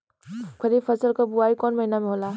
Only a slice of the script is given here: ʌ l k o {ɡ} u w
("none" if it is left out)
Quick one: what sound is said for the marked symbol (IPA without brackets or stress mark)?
b